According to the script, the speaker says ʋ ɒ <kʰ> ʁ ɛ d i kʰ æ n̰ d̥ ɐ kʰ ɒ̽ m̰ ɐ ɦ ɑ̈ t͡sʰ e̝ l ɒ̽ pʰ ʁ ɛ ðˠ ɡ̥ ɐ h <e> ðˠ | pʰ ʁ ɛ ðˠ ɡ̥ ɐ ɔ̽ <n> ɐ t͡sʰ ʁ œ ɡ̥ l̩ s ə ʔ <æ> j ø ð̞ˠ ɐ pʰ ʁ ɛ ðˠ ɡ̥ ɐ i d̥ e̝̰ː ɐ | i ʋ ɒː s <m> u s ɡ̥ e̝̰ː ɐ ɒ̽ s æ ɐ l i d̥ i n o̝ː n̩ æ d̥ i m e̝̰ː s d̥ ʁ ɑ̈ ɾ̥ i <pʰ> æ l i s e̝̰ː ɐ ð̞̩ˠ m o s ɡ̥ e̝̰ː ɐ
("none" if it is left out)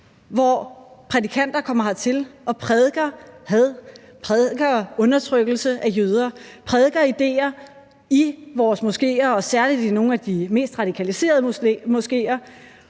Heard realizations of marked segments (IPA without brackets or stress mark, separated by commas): pʰ, æ, n, æ, m, kʰ